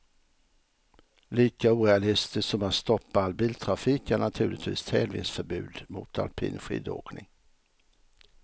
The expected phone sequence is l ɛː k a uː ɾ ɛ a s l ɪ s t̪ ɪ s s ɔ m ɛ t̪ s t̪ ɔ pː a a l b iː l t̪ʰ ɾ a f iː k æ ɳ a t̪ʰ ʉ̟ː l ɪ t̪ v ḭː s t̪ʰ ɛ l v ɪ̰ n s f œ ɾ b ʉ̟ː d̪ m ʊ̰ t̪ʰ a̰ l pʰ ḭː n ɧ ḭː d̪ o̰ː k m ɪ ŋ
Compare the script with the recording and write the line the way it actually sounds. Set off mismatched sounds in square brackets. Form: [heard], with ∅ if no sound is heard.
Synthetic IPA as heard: l [iː] k a uː ɾ ɛ a [∅] l ɪ s t̪ ɪ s s ɔ m [a] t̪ s t̪ ɔ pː a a l b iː l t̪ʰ ɾ a f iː k æ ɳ a t̪ʰ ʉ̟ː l ɪ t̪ v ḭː s t̪ʰ ɛ l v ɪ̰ n s f œ ɾ b ʉ̟ː d̪ m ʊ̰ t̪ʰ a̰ l pʰ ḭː n ɧ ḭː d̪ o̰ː k [n] ɪ ŋ